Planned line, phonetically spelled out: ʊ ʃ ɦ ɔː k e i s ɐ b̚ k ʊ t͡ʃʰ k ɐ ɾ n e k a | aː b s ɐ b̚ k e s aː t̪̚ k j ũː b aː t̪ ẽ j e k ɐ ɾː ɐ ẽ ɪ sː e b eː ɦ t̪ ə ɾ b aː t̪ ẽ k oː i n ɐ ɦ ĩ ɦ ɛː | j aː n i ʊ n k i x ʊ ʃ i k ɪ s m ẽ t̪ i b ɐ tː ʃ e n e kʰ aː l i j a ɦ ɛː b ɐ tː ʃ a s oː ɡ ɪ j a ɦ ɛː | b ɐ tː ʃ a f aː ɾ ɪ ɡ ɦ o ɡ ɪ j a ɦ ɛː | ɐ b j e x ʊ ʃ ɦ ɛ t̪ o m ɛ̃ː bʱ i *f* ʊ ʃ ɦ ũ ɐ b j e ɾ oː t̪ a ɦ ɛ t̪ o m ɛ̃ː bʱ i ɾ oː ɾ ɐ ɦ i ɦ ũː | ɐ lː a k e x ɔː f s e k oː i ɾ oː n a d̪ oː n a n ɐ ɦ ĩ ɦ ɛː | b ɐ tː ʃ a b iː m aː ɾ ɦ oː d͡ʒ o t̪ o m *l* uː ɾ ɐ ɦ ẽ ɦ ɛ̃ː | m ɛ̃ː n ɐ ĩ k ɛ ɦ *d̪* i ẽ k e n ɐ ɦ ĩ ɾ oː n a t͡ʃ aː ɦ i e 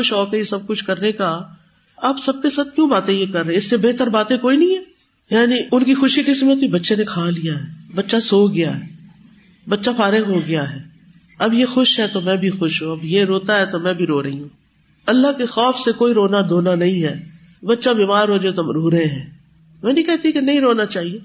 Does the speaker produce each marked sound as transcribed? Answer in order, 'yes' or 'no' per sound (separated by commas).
no, no, no